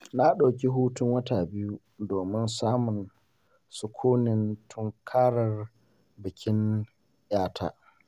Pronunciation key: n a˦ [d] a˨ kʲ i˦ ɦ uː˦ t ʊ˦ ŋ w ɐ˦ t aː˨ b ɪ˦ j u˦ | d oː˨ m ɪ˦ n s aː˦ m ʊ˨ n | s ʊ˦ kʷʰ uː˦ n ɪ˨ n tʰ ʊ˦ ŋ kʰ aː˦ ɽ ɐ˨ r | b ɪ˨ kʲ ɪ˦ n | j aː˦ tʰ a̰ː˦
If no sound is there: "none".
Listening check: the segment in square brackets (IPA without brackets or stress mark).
ɗ